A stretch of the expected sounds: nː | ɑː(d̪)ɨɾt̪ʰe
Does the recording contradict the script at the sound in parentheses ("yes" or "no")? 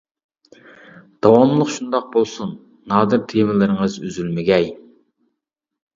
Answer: no